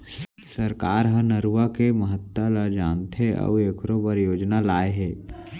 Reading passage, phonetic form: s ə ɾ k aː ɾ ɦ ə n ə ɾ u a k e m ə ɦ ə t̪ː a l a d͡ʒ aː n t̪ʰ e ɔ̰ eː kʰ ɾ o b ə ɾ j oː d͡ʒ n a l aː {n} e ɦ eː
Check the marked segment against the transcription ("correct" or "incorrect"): incorrect